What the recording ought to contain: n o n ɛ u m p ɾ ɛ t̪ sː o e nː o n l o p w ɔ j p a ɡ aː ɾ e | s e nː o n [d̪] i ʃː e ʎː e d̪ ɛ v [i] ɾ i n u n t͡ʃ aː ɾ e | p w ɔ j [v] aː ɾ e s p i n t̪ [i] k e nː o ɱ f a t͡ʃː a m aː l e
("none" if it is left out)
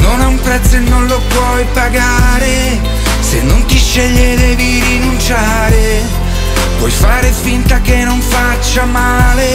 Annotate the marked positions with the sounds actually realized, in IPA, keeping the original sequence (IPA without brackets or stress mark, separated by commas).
t̪, i, f, a